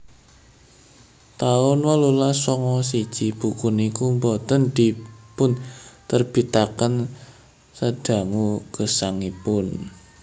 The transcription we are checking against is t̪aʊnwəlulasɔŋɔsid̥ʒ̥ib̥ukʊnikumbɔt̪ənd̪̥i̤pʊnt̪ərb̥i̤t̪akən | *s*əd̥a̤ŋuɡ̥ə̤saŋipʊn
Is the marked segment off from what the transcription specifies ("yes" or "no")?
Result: no